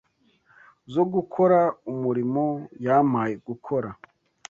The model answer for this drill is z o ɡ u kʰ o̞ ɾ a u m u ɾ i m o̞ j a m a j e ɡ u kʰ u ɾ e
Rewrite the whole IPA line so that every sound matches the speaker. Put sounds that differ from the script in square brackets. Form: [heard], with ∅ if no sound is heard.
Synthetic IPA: z o ɡ u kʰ o̞ ɾ a u m u ɾ i m o̞ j a m a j e ɡ u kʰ [o] ɾ [a]